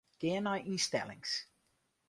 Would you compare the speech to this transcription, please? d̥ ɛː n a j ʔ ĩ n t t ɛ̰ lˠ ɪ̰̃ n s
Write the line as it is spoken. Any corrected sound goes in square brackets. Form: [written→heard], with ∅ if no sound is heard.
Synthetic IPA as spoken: [d̥→ɡ̥] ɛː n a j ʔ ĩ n [t→s] t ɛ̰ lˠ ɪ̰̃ [n→ŋ] s